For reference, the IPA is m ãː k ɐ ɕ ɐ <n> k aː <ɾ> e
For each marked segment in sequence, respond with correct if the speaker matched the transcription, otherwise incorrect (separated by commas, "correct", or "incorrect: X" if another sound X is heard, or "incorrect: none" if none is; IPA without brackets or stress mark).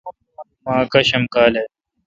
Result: incorrect: m, incorrect: l